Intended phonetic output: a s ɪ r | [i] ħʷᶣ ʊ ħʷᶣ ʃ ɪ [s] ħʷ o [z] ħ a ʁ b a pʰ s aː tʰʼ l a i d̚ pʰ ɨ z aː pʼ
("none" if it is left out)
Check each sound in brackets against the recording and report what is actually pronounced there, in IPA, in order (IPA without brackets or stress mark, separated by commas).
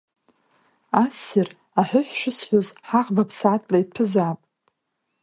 a, s, z